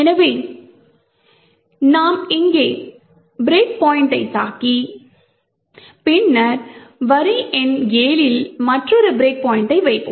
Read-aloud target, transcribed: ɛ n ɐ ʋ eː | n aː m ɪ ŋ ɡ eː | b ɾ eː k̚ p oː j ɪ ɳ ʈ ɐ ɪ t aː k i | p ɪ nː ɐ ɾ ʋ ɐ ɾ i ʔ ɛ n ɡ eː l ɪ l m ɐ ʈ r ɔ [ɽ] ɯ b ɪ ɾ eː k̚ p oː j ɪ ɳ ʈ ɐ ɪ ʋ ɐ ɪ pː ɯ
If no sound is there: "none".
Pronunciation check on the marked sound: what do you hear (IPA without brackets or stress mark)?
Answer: ɾ